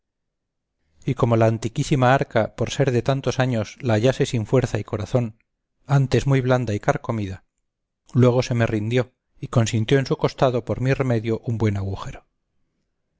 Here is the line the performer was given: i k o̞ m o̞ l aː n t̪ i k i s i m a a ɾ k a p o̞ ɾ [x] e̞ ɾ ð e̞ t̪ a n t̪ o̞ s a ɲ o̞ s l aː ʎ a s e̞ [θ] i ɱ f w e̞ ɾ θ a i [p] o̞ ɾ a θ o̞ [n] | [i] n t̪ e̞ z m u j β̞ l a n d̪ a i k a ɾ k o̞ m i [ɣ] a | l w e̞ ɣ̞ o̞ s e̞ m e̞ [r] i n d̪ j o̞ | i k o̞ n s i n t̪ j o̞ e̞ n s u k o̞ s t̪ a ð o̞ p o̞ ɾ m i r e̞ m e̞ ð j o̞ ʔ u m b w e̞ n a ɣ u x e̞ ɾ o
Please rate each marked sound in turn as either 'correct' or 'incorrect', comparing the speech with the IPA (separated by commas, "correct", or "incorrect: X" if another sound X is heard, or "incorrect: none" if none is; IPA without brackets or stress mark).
incorrect: s, incorrect: s, incorrect: k, correct, incorrect: a, incorrect: ð, correct